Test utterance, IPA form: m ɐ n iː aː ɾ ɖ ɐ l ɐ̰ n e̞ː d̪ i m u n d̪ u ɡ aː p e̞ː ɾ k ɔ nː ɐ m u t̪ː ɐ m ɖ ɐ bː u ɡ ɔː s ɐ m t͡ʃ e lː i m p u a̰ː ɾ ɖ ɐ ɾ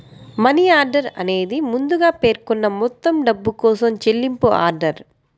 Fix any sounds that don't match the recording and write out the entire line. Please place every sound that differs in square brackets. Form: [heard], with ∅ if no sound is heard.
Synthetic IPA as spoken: m ɐ n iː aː ɾ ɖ ɐ [ɾ] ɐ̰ n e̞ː d̪ i m u n d̪ u ɡ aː p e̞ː ɾ k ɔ nː ɐ m [ɔ] t̪ː ɐ m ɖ ɐ bː u [k] ɔː s ɐ m t͡ʃ e lː i m p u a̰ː ɾ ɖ ɐ ɾ